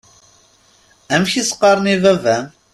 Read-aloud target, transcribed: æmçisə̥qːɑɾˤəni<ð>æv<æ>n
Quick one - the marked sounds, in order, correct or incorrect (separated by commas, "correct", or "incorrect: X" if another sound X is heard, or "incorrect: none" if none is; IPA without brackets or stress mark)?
incorrect: v, correct